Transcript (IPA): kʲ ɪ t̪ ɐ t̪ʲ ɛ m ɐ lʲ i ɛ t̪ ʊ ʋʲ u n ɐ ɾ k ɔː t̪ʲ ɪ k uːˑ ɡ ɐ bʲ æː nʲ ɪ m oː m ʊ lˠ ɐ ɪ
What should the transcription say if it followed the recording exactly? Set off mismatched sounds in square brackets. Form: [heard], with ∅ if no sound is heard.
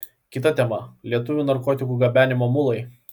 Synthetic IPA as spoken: kʲ ɪ t̪ ɐ t̪ʲ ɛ m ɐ lʲ i ɛ t̪ ʊ ʋʲ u n ɐ ɾ k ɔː t̪ʲ ɪ k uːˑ ɡ ɐ bʲ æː nʲ ɪ m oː m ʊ lˠ ɐ ɪ